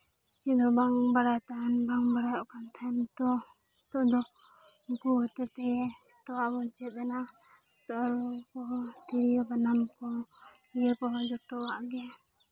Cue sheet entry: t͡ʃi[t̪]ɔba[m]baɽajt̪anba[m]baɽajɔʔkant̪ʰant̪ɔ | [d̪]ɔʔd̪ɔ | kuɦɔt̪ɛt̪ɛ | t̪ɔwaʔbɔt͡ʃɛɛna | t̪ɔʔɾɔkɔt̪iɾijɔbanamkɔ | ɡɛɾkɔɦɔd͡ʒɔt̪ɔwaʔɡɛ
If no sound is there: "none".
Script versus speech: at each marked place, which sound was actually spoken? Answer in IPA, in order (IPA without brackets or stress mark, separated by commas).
d̪, ŋ, ŋ, t̪